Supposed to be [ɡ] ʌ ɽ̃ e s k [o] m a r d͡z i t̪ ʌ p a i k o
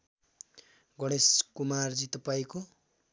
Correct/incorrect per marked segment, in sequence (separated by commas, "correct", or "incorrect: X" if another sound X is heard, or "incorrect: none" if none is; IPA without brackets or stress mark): correct, incorrect: u